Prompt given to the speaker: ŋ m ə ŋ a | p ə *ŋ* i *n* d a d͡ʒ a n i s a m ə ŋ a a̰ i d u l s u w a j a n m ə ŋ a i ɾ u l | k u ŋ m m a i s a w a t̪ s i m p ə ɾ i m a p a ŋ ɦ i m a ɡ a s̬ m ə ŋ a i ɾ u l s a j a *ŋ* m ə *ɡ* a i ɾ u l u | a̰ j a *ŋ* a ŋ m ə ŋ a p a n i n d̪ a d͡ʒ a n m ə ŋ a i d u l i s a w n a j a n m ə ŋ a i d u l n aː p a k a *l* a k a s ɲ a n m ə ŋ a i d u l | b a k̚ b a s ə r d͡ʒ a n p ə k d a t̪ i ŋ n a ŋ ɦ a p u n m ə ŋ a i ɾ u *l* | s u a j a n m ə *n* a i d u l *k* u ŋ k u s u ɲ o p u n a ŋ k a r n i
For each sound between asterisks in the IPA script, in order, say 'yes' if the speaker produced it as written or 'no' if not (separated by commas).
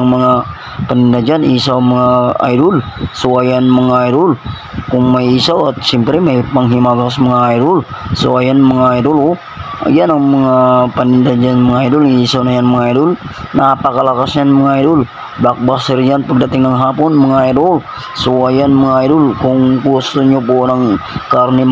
no, yes, no, no, no, yes, yes, no, yes